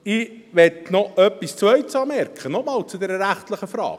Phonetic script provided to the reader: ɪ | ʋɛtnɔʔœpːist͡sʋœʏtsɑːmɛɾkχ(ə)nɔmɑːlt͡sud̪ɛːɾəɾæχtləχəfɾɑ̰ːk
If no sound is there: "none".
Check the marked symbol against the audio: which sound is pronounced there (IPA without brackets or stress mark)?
ə